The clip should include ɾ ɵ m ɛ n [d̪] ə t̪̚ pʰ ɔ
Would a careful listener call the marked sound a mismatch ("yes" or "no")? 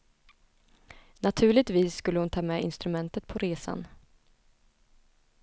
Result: yes